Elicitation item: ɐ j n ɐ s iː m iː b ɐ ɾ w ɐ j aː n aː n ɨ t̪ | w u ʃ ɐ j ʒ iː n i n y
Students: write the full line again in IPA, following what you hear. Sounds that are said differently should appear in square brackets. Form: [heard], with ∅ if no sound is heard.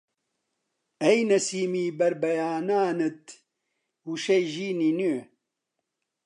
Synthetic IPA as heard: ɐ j n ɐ s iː m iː b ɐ ɾ [b] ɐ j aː n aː n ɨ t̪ | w u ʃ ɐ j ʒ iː n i n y

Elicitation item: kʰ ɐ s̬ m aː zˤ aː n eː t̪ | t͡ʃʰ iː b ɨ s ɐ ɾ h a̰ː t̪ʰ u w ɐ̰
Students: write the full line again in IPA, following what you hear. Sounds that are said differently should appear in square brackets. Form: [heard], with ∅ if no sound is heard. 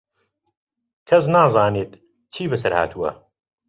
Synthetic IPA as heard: kʰ ɐ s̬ [n] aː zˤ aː n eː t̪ | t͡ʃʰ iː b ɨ s ɐ ɾ h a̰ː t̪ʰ u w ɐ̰

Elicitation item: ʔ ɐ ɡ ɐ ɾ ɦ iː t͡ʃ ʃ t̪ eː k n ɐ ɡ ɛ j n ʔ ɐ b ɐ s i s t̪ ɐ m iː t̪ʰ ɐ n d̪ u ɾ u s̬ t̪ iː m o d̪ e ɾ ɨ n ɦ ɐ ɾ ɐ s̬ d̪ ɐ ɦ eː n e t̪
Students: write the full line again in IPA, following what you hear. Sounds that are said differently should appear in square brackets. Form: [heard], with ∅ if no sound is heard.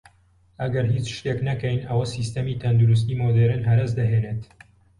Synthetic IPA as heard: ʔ ɐ ɡ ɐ ɾ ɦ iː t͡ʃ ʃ t̪ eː k n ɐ [k] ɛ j n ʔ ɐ [w] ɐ s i s t̪ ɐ m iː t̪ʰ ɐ n d̪ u ɾ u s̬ t̪ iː m o d̪ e ɾ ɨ n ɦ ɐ ɾ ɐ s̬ d̪ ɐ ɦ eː n e t̪

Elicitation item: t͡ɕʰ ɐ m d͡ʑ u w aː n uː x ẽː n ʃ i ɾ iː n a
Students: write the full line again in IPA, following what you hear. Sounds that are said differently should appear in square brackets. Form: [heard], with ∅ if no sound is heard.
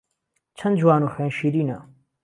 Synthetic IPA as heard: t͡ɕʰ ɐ [n] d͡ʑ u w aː n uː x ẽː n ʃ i ɾ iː n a

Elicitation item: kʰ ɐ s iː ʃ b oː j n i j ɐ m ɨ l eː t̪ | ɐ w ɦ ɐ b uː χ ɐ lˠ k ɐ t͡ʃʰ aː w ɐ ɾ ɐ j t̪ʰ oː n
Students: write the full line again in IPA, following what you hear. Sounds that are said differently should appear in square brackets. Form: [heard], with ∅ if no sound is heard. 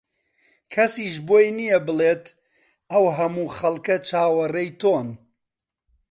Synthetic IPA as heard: kʰ ɐ s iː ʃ b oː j n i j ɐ [b] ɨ l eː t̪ | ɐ w ɦ ɐ [m] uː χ ɐ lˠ k ɐ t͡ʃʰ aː w ɐ [r] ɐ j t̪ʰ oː n

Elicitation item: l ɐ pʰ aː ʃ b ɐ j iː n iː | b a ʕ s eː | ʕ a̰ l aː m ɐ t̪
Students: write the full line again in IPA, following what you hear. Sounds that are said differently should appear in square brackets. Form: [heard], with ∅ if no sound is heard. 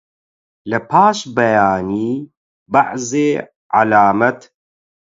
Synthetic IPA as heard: l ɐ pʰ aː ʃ b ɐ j [aː] n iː | b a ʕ [z] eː | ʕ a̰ l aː m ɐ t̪

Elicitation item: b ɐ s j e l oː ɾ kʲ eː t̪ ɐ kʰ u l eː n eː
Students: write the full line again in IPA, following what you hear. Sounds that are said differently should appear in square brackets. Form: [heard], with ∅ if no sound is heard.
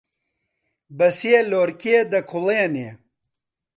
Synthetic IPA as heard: b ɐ s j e l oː ɾ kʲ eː [d̪] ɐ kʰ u l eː n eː

